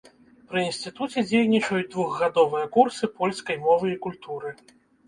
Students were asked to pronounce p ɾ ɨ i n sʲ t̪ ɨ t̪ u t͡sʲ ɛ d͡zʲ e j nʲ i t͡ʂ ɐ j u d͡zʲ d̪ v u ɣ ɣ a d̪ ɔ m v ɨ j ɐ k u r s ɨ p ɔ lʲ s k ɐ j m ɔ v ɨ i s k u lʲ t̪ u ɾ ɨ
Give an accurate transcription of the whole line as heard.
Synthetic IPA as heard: p ɾ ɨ i n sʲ t̪ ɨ t̪ u t͡sʲ ɛ d͡zʲ e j nʲ i t͡ʂ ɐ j u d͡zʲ d̪ v u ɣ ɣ a d̪ ɔ v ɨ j ɐ k u r s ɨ p ɔ lʲ s k ɐ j m ɔ v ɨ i k u lʲ t̪ u ɾ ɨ